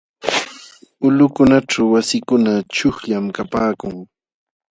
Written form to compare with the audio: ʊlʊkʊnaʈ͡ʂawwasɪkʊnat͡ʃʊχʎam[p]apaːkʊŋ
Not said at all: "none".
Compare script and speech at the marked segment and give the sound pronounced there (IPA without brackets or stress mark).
k